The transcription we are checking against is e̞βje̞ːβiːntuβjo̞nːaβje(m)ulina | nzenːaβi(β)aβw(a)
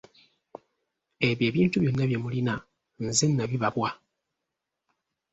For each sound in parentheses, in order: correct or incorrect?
correct, correct, correct

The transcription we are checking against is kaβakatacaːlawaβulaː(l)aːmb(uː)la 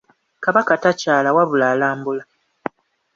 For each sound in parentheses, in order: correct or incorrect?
correct, incorrect: u

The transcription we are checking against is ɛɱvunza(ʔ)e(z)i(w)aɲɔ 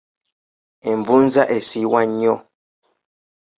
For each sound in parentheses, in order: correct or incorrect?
correct, incorrect: s, correct

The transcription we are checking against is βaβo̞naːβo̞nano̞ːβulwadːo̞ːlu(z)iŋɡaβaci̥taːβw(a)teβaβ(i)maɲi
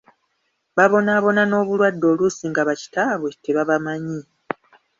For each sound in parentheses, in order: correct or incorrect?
incorrect: s, incorrect: e, incorrect: a

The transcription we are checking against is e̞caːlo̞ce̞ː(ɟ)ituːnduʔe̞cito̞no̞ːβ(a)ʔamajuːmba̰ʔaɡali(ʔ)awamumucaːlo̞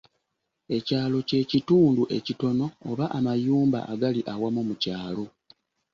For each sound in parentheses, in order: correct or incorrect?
incorrect: c, correct, correct

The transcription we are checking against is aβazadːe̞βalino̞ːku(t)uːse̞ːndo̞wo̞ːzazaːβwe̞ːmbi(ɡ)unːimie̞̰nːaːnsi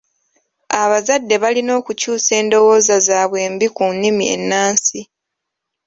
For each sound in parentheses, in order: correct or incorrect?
incorrect: c, incorrect: k

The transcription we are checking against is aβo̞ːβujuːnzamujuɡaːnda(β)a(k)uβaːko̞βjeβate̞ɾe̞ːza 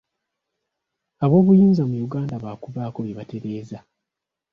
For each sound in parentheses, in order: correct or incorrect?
correct, correct

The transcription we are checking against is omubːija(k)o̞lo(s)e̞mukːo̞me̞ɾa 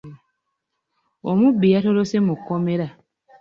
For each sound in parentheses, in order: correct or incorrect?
incorrect: t, correct

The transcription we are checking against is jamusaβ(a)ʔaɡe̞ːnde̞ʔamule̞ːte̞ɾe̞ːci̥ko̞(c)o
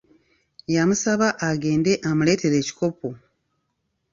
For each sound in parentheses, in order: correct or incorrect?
correct, incorrect: p

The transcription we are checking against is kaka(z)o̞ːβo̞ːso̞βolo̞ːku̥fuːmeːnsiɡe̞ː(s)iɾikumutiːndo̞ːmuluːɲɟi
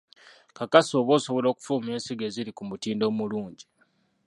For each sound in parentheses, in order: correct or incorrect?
incorrect: s, incorrect: z

